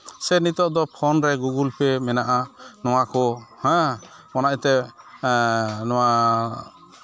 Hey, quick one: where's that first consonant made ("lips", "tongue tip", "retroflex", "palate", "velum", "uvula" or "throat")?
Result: tongue tip